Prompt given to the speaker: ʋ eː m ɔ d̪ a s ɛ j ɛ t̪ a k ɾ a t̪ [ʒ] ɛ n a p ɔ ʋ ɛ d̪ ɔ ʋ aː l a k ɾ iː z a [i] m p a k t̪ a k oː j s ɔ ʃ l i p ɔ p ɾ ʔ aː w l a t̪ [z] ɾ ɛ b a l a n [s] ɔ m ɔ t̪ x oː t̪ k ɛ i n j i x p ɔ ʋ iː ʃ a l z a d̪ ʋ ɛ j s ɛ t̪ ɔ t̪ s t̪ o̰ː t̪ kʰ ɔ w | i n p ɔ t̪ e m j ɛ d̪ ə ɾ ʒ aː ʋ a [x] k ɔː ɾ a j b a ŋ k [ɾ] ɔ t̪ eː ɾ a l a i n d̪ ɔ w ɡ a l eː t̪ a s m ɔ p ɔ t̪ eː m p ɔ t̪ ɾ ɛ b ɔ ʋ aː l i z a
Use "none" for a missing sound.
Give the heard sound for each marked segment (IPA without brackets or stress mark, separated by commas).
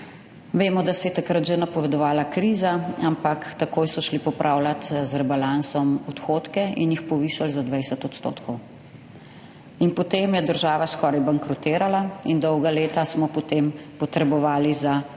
ʒ, a, z, s, s, ɾ